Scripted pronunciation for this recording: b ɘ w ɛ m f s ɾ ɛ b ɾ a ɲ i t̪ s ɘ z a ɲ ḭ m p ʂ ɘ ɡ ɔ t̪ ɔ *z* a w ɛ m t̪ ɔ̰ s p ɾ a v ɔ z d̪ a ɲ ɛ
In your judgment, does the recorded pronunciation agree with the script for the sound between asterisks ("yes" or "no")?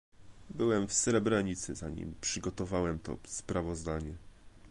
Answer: no